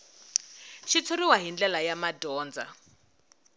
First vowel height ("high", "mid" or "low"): high